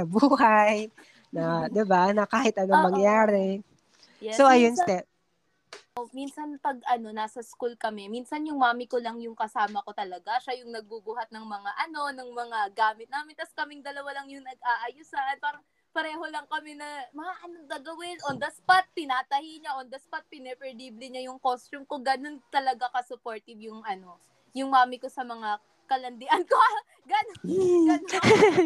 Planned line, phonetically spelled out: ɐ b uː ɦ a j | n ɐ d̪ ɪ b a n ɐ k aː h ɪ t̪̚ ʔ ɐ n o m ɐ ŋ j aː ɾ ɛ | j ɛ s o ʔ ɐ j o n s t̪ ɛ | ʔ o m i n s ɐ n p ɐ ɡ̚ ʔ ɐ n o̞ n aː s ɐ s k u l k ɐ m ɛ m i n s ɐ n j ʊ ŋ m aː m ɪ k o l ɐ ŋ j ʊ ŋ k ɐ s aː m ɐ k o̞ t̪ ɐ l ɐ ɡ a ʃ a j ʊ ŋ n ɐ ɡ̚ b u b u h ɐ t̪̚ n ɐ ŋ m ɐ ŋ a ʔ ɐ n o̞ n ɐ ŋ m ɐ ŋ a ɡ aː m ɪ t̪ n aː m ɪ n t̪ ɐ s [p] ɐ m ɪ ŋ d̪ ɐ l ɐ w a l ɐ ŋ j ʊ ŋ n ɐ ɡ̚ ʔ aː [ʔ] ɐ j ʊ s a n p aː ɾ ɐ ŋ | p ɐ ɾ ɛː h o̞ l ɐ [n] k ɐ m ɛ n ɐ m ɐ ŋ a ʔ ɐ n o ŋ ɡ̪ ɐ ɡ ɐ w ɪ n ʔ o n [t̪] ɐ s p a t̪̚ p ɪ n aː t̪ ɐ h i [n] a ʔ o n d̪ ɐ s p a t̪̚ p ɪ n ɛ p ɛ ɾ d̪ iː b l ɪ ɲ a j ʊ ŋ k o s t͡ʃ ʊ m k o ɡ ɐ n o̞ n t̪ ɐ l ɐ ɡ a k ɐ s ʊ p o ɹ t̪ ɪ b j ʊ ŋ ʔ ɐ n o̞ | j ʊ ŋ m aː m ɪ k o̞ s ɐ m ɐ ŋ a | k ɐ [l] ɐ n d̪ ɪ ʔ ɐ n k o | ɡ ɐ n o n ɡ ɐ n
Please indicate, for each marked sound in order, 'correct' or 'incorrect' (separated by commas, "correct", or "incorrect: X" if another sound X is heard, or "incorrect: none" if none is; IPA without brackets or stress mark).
incorrect: k, correct, incorrect: ŋ, incorrect: d̪, incorrect: ɲ, correct